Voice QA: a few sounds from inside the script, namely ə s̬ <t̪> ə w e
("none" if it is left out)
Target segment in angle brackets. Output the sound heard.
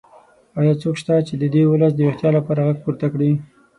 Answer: d̪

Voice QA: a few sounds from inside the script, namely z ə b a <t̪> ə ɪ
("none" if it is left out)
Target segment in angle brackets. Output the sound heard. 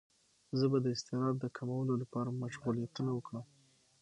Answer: d̪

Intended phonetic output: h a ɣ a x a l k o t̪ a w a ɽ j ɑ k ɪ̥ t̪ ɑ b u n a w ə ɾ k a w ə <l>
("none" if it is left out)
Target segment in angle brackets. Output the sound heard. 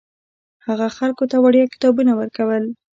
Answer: l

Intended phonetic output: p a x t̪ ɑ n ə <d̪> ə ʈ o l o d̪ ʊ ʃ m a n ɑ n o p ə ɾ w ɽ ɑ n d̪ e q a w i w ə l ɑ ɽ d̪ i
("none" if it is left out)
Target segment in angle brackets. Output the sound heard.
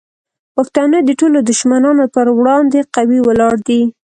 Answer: d̪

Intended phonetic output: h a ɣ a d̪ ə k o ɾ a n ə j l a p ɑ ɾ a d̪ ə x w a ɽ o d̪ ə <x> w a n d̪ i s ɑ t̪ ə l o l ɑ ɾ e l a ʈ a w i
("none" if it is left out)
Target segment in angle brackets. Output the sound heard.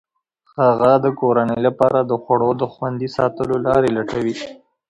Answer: x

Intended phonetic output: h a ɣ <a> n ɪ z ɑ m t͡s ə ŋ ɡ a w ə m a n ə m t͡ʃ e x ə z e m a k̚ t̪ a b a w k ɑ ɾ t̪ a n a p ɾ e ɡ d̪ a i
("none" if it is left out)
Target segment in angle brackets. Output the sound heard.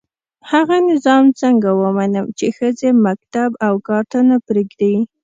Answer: a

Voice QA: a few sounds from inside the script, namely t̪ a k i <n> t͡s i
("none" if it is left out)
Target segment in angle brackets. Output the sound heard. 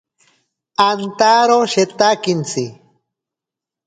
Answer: n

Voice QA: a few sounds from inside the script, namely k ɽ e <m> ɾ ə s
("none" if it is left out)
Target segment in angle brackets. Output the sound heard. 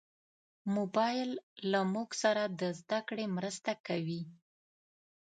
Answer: m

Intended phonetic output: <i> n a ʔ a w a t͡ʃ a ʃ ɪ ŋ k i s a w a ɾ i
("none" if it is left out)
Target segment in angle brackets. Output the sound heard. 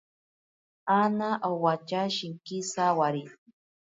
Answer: a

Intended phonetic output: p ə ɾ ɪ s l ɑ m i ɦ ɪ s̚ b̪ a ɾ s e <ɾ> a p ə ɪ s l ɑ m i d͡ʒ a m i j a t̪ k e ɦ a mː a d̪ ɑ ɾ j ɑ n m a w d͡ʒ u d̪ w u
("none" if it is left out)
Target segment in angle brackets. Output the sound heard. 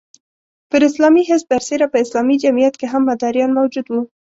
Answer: ɾ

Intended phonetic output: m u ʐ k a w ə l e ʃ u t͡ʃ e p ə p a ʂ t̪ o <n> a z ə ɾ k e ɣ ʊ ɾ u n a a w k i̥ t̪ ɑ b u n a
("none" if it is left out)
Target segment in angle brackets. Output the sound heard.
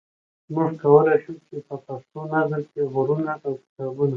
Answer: n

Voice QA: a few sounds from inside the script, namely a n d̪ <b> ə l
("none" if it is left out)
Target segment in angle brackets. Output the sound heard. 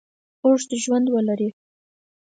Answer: w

